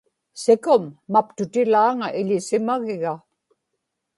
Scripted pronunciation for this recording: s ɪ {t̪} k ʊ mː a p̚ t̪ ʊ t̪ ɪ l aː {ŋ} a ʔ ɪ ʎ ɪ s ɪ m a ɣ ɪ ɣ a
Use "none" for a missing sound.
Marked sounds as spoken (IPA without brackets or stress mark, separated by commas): none, ŋ